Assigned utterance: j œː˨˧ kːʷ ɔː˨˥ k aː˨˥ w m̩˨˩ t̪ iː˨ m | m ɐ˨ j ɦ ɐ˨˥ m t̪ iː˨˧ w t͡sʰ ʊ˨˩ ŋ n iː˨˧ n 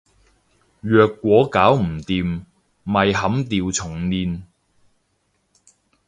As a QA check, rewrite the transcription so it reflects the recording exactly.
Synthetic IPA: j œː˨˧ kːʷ ɔː˨˥ k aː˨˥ w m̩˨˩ t̪ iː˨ m | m ɐ˨ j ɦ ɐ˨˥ m t̪ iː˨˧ w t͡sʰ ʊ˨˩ ŋ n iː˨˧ n